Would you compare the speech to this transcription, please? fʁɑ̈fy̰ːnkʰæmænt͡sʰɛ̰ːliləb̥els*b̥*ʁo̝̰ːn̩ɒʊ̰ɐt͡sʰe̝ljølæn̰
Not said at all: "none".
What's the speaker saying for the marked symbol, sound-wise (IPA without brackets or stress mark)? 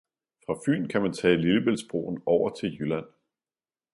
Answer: b̥